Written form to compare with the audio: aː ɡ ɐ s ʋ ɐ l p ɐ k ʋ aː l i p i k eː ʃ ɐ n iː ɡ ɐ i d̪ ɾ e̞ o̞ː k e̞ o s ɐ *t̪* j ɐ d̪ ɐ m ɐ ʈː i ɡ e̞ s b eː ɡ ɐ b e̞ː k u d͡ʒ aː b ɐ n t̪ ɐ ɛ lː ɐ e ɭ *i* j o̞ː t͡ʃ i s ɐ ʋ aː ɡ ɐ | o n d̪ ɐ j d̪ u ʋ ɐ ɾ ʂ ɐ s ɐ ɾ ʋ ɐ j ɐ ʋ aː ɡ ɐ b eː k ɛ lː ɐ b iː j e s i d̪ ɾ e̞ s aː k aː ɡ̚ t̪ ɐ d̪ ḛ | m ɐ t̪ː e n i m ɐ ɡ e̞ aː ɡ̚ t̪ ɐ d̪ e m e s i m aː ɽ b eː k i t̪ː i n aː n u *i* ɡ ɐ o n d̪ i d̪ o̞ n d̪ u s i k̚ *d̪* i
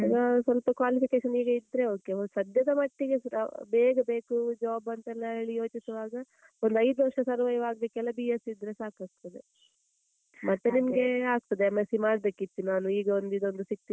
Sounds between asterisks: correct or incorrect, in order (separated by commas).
incorrect, correct, incorrect, incorrect